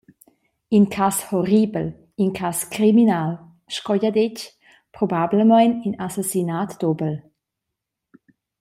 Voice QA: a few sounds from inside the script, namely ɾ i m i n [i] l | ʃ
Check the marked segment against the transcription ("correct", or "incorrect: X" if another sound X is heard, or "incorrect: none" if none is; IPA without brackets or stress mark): incorrect: a